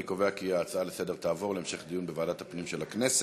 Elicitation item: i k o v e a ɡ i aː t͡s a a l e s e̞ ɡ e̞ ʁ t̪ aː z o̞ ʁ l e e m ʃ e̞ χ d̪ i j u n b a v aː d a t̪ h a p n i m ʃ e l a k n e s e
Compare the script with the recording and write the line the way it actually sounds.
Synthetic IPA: i k o v e a k i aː t͡s a a l e s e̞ d e̞ ʁ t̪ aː v o̞ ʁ l e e m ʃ e̞ χ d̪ i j u n b e v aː d a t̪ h a p n i m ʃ e l a k n e s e